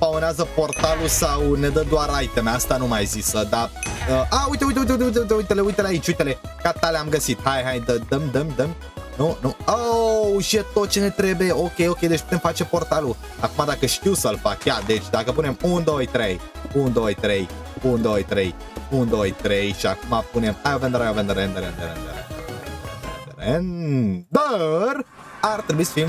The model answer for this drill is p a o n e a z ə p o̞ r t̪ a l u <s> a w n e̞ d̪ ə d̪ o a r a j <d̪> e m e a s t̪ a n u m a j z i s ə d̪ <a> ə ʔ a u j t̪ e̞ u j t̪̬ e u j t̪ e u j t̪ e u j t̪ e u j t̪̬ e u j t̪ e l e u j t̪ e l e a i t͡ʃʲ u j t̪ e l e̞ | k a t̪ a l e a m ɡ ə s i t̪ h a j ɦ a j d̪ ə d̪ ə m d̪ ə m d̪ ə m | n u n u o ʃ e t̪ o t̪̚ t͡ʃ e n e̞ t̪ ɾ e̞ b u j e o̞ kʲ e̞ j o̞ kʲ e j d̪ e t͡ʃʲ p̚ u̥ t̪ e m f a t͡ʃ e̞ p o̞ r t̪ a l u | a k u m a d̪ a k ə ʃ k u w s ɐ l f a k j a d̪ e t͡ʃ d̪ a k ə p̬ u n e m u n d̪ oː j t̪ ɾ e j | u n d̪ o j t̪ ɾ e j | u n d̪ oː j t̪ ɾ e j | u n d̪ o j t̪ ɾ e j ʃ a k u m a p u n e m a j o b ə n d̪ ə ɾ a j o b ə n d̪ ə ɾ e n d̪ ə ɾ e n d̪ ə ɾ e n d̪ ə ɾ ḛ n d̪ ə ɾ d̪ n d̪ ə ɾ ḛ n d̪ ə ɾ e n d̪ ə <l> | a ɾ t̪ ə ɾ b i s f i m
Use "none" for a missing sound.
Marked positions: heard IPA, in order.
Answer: s, t̪, a, ɾ

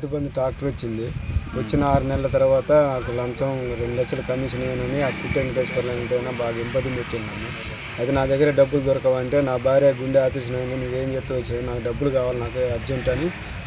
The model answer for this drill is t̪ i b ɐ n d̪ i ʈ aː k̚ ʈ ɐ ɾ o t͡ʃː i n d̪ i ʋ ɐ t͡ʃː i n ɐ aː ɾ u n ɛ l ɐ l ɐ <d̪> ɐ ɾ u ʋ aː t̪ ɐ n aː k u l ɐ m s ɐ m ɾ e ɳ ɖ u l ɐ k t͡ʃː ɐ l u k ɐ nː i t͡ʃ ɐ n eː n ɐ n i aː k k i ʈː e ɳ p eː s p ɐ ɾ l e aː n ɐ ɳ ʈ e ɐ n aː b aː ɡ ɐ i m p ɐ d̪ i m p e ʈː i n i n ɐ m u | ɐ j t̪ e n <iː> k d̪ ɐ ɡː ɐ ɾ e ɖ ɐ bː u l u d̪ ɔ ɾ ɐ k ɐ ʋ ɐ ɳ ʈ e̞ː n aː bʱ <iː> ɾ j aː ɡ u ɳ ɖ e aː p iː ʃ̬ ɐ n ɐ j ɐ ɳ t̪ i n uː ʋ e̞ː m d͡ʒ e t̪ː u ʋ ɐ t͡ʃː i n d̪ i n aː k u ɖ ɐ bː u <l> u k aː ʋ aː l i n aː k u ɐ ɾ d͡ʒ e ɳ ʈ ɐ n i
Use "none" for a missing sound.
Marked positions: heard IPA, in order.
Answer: t̪, aː, aː, l

